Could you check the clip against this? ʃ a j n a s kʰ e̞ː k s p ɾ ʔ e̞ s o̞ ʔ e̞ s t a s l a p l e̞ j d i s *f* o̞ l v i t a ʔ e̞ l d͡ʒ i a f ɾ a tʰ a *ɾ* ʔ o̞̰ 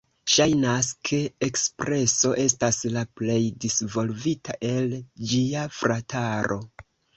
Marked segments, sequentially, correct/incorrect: incorrect, correct

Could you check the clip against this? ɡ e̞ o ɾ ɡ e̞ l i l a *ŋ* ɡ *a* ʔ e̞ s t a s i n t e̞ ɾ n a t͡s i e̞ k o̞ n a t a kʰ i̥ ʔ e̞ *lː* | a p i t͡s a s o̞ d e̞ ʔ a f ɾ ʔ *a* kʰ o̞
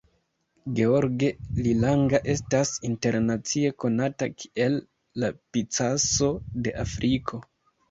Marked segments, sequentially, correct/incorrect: correct, correct, correct, incorrect

